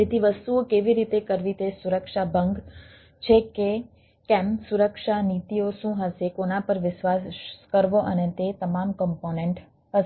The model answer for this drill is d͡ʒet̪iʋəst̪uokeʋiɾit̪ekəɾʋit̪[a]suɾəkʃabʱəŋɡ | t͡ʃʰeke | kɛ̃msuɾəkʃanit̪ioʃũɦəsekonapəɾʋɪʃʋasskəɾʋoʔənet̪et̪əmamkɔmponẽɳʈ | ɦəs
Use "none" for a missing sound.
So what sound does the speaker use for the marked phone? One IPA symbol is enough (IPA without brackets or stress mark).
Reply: e